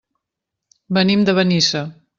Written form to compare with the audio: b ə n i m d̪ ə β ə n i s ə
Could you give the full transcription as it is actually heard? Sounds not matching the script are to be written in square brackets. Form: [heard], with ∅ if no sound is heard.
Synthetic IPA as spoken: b ə n i m d̪ ə β ə n i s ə